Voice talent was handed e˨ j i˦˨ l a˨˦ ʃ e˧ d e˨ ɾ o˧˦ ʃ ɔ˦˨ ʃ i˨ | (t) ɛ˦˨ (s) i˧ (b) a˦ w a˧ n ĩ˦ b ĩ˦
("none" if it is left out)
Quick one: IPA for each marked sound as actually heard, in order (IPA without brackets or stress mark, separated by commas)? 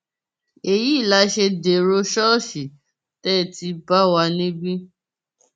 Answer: t, t, b